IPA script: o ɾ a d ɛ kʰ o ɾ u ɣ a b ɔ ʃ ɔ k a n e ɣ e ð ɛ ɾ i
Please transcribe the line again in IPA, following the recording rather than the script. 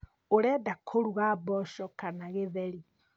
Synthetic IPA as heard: o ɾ ɛ d a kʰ o ɾ u ɣ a b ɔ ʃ ɔ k a n a ɣ e ð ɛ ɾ i